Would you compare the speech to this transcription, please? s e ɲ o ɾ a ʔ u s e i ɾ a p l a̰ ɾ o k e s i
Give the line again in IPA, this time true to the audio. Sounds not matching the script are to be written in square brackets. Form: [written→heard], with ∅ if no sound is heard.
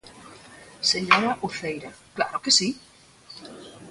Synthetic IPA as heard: s e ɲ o ɾ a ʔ u [s→θ] e [i→j] ɾ a [p→k] l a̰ ɾ o k e s i